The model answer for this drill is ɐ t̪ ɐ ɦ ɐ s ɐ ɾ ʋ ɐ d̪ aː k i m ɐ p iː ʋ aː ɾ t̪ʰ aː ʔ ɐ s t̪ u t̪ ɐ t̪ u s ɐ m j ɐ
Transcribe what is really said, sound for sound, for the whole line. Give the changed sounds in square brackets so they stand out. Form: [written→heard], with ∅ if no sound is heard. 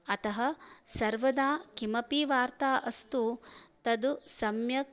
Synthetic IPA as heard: ɐ t̪ ɐ ɦ ɐ s ɐ ɾ ʋ ɐ d̪ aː k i m ɐ p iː ʋ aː ɾ [t̪ʰ→t̪] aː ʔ ɐ s t̪ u t̪ ɐ [t̪→d̪] u s ɐ m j ɐ